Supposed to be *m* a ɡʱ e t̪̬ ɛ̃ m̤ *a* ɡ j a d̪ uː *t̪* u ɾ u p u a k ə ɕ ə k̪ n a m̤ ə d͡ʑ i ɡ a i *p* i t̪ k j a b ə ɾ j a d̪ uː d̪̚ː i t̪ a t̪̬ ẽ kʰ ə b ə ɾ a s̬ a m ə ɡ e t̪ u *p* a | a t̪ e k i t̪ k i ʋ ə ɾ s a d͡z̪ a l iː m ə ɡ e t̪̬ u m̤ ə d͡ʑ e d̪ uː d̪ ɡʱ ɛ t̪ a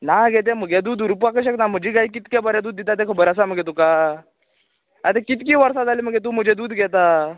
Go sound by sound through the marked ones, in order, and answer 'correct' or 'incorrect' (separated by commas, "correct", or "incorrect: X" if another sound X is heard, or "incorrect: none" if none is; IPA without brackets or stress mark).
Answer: incorrect: n, incorrect: ə, incorrect: d̪, incorrect: k, incorrect: k